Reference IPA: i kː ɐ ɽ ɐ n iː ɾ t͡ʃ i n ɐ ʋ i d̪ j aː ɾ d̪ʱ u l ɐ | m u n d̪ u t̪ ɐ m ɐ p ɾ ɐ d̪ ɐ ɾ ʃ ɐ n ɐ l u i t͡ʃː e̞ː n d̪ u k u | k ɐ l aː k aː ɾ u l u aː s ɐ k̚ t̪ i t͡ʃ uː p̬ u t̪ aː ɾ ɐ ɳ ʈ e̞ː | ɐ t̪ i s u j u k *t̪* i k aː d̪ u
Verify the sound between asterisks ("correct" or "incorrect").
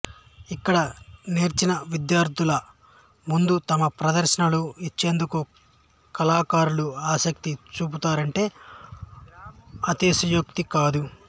correct